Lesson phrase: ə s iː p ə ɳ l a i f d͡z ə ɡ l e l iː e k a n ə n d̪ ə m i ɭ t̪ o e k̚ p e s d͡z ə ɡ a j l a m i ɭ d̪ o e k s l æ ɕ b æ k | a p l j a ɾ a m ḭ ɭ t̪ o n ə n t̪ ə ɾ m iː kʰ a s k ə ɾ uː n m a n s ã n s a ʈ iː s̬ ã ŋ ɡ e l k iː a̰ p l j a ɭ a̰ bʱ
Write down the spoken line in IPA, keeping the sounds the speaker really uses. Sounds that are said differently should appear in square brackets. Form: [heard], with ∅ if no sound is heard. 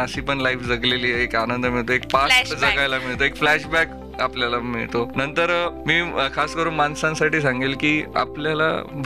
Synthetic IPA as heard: ə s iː p ə ɳ l a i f d͡z ə ɡ l e l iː e k a n ə n d̪ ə m i ɭ t̪ o e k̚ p [a] s d͡z ə ɡ a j l a m i ɭ [t̪] o e k [f] l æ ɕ b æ k | a p l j a [l] a m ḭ ɭ t̪ o n ə n t̪ ə ɾ m iː kʰ a s k ə ɾ uː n m a n s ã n s a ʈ iː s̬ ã ŋ ɡ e l k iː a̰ p l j a [l] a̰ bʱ